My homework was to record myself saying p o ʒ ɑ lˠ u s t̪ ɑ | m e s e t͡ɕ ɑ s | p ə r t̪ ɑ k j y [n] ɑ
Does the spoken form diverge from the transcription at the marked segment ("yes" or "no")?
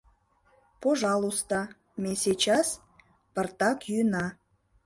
no